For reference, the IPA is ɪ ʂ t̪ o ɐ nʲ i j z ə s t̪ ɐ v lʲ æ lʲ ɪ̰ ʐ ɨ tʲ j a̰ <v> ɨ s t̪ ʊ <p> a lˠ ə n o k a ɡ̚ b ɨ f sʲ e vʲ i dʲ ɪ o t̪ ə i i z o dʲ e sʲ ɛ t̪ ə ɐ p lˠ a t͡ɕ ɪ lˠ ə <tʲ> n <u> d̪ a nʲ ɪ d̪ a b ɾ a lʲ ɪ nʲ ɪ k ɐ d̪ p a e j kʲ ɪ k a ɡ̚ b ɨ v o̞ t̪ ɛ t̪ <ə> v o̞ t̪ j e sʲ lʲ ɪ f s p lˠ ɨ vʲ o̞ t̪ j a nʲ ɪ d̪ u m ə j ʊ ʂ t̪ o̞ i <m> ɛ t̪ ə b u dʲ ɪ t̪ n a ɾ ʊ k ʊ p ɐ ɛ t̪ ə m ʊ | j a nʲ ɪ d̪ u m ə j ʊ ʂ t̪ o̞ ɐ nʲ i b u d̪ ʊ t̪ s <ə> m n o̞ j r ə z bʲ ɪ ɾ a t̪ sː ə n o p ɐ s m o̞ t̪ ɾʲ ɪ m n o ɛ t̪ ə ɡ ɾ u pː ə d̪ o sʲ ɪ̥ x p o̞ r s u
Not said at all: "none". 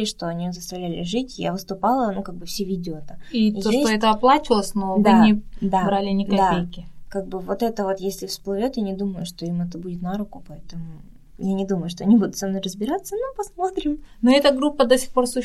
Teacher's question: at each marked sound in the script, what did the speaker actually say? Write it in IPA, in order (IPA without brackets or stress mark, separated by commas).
v, p, sʲ, o, ə, m, ɐ